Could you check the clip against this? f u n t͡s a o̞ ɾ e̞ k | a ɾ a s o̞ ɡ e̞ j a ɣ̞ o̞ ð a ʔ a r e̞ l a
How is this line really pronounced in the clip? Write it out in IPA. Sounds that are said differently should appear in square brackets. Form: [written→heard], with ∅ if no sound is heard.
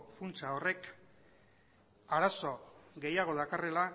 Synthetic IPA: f u n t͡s a o̞ [ɾ→r] e̞ k | a ɾ a s o̞ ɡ e̞ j a ɣ̞ o̞ ð a [ʔ→k] a r e̞ l a